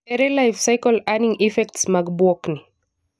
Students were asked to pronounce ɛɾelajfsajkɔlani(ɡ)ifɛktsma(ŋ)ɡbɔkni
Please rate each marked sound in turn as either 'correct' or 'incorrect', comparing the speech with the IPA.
incorrect: ŋ, incorrect: none

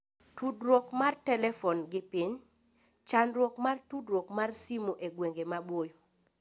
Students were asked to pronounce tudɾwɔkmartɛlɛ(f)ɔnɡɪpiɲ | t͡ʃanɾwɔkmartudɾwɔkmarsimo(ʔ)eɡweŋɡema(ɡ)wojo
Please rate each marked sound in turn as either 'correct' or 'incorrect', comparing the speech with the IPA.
correct, correct, incorrect: b

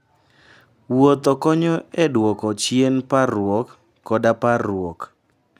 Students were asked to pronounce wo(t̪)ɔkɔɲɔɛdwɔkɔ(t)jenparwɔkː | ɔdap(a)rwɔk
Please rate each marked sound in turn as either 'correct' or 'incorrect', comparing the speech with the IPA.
correct, incorrect: t͡ʃ, correct

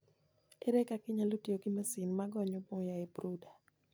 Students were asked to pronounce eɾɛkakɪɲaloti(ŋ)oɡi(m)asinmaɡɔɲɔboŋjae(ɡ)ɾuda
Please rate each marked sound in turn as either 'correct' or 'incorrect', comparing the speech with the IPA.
incorrect: none, correct, incorrect: b

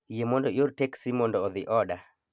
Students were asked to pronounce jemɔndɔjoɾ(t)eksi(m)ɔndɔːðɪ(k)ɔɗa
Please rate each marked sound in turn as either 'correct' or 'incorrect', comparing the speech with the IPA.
correct, correct, incorrect: ʔ

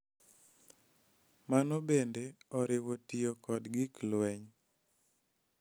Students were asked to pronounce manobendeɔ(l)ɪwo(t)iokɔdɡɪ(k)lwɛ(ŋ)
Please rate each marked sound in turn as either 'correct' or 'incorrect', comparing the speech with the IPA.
incorrect: ɾ, correct, correct, incorrect: ɲ

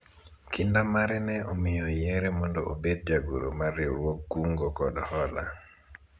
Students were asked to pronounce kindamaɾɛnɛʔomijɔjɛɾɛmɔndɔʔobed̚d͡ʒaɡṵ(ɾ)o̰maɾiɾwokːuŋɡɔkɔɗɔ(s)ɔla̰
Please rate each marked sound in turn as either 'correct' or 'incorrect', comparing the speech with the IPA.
correct, incorrect: h

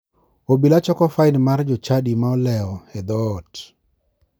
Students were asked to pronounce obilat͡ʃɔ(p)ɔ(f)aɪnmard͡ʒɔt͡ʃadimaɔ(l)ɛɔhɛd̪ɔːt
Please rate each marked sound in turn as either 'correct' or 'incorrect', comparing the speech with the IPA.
incorrect: k, correct, correct

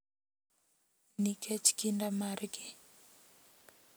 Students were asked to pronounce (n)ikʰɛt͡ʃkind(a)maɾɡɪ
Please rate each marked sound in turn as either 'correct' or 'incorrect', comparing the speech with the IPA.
correct, correct

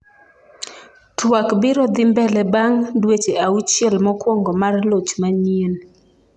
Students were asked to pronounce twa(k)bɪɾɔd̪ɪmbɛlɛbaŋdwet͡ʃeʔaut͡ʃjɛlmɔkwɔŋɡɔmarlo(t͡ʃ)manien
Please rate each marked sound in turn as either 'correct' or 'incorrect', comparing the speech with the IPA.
correct, correct

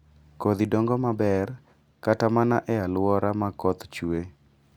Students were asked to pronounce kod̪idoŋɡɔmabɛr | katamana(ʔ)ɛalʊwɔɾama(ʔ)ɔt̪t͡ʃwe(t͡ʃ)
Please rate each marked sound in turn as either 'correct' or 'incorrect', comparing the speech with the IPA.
correct, incorrect: k, incorrect: none

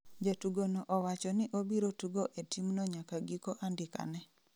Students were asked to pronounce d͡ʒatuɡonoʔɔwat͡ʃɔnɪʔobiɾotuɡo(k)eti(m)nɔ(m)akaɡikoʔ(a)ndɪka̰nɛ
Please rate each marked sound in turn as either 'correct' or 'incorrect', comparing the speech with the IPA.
incorrect: ʔ, correct, incorrect: ɲ, correct

